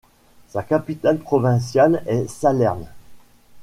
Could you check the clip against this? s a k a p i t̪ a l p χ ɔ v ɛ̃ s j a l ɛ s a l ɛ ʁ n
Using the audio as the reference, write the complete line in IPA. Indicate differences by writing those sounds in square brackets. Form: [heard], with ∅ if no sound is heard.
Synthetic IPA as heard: s a k a p i t̪ a l p χ ɔ v ɛ̃ s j a l ɛ s a l ɛ ʁ n

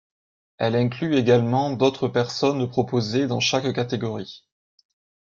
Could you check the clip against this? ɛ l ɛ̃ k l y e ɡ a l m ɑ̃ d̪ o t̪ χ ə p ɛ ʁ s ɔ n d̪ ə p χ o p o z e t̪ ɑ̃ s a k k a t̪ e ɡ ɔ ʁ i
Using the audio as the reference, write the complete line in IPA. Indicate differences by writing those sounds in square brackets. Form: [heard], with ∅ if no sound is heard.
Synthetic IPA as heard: ɛ l ɛ̃ k l y e ɡ a l m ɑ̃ d̪ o t̪ χ ə p ɛ ʁ s ɔ n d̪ ə p χ [ɔ] p o z e [d̪] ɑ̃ [ʃ] a k k a t̪ e ɡ ɔ ʁ i

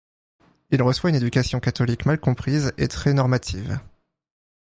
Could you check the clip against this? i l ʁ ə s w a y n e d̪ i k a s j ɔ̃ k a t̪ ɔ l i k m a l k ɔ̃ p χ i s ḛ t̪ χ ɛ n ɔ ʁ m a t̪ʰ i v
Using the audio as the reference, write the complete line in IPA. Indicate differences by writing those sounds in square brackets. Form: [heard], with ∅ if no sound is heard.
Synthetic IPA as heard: i l ʁ ə s w a y n e d̪ [y] k a s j ɔ̃ k a t̪ ɔ l i k m a l k ɔ̃ p χ i [z] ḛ t̪ χ ɛ n ɔ ʁ m a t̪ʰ i v

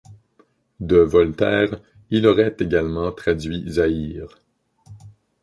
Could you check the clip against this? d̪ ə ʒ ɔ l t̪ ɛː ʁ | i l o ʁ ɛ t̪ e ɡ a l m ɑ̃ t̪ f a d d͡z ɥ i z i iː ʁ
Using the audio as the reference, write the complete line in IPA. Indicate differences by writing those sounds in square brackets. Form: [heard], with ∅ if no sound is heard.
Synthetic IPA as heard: d̪ ə [v] ɔ l t̪ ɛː ʁ | i l [ɔ] ʁ ɛ t̪ e ɡ a l m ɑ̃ t̪ [χ] a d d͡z ɥ i z [a] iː ʁ

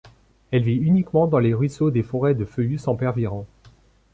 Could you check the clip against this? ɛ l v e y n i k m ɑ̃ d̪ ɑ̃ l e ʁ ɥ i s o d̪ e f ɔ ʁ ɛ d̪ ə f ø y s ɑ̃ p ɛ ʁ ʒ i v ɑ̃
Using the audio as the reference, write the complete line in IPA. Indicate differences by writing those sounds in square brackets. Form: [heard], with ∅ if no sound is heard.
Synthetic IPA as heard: ɛ l v [i] y n i k m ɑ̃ d̪ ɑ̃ l e ʁ ɥ i s o d̪ e f ɔ ʁ ɛ d̪ ə f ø y s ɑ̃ p ɛ ʁ [v] i [ʁ] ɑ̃

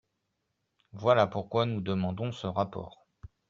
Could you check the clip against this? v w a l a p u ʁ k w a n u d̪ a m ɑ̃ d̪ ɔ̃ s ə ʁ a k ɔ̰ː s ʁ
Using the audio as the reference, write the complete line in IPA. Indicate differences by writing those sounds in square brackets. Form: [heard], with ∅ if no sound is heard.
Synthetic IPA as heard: v w a l a p u ʁ k w a n u d̪ [ə] m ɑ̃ d̪ ɔ̃ s ə ʁ a [p] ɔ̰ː [∅] ʁ

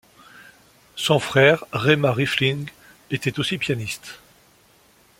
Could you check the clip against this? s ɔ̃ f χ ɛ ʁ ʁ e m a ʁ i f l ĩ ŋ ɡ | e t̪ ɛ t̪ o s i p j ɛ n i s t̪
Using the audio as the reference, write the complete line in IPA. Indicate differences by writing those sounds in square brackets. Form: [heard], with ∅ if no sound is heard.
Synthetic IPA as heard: s ɔ̃ f χ ɛ ʁ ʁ e m a ʁ i f l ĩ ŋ ɡ | e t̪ ɛ t̪ o s i p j [a] n i s t̪

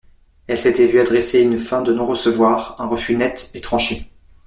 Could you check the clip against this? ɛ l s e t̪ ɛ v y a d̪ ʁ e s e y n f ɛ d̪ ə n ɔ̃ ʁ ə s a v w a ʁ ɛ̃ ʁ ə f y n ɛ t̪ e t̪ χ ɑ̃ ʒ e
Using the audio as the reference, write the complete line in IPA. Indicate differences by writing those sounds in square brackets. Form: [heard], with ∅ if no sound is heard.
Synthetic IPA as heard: ɛ l s e t̪ ɛ v y a d̪ ʁ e s e y n f [ɛ̃] d̪ ə n ɔ̃ ʁ ə s [ə] v w a ʁ ɛ̃ ʁ ə f y n ɛ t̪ e t̪ χ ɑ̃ [ʃ] e

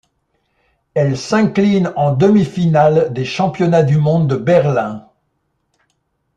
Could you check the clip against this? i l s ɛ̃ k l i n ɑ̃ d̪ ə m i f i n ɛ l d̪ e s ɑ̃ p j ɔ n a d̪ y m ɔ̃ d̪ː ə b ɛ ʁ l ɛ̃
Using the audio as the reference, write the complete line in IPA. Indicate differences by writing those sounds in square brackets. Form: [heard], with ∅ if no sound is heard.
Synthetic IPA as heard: [ɛ] l s ɛ̃ k l i n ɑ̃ d̪ ə m i f i n [a] l d̪ e [ʃ] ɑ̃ p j ɔ n a d̪ y m ɔ̃ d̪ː ə b ɛ ʁ l ɛ̃

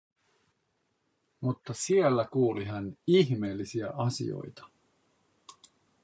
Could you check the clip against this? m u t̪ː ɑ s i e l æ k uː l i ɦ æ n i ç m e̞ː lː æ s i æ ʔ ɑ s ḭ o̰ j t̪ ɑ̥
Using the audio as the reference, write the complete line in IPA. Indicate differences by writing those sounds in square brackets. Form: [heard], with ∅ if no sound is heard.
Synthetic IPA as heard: m u t̪ː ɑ s i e [lː] æ k uː l i ɦ æ n i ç m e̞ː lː [i] s i æ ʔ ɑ s ḭ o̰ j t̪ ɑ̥

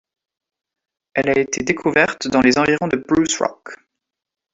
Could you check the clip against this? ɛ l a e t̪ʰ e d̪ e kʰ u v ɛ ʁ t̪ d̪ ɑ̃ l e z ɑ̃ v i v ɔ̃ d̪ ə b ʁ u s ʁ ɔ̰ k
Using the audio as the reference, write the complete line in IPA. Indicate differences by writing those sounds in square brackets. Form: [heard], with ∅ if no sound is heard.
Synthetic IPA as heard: ɛ l a e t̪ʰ e d̪ e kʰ u v ɛ ʁ t̪ d̪ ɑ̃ l e z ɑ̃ v i [ʁ] ɔ̃ d̪ ə b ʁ u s ʁ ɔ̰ k

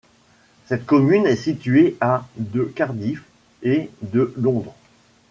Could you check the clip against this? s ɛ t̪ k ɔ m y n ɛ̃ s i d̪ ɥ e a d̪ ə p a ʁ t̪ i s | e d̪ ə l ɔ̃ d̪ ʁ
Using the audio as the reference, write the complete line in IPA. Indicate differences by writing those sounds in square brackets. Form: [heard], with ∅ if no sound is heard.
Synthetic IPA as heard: s ɛ t̪ k ɔ m y n [ɛ] s i [t̪] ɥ e a d̪ ə [k] a ʁ [d̪] i [f] | e d̪ ə l ɔ̃ d̪ ʁ

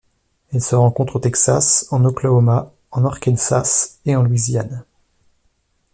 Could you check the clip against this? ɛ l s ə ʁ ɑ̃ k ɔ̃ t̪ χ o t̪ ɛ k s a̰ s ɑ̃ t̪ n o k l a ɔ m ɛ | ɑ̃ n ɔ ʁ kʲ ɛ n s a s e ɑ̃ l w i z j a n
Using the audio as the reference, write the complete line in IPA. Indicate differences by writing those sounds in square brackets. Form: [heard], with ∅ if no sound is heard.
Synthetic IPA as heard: ɛ l s ə ʁ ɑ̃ k ɔ̃ t̪ χ o t̪ ɛ k s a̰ s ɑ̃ [∅] n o k l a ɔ m [a] | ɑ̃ n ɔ ʁ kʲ ɛ n s a s e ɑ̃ l w i z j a n

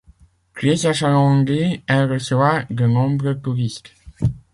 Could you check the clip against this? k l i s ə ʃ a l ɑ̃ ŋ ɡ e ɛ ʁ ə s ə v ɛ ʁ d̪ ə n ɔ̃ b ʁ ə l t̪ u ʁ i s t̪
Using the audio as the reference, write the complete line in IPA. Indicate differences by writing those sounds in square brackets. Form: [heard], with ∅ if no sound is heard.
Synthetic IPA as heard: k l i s [a] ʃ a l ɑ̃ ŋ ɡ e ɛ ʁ ə s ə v [a] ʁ d̪ ə n ɔ̃ b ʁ ə [∅] t̪ u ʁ i s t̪

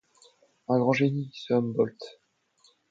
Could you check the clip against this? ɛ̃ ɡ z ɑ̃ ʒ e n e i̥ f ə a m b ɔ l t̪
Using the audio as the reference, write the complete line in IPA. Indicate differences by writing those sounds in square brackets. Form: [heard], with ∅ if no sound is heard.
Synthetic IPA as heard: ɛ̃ ɡ [ʁ] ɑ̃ ʒ e n [i] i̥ [s] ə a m b ɔ l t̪

